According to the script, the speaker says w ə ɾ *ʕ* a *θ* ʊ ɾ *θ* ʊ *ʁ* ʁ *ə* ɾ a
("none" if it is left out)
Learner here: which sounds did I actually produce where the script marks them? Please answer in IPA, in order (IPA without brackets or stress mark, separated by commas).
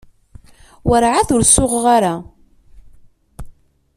ʕ, θ, s, ʁ, a